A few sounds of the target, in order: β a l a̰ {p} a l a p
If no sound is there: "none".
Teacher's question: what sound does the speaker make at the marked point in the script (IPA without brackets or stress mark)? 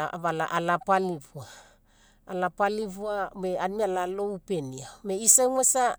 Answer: ʔ